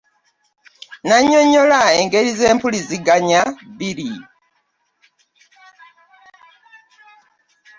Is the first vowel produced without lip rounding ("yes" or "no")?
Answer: yes